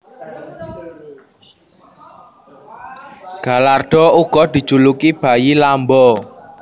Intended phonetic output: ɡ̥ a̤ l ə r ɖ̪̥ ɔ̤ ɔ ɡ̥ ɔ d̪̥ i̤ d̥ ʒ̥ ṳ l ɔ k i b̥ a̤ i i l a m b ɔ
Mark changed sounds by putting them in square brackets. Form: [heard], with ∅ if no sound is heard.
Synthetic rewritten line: ɡ̥ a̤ l [a] r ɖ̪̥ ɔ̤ [u] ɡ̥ ɔ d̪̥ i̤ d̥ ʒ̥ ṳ l [u] k i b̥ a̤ [j] i l a m b ɔ